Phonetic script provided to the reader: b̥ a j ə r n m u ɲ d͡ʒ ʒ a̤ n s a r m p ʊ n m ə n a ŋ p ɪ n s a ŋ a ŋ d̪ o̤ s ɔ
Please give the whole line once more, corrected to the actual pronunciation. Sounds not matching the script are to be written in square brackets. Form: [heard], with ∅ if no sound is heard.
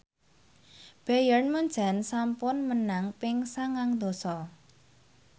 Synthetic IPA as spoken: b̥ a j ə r n m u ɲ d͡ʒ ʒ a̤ n s a [∅] m p ʊ n m ə n a ŋ p ɪ [ŋ] s a ŋ a ŋ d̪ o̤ s ɔ